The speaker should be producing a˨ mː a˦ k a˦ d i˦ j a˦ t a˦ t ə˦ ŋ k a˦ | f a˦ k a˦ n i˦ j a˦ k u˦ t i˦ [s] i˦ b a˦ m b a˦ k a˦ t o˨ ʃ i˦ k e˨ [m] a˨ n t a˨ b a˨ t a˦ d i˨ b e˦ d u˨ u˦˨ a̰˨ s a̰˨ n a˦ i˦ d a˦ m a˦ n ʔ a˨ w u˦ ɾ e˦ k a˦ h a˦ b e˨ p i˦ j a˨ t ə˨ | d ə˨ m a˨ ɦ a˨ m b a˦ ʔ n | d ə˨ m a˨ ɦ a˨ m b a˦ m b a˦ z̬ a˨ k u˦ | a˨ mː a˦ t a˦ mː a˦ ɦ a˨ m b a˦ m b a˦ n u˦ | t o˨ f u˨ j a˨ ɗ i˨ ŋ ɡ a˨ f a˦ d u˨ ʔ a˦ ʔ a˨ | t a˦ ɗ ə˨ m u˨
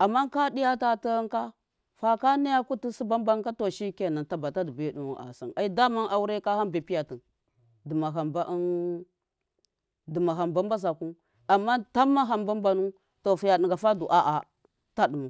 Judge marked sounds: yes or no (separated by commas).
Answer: yes, no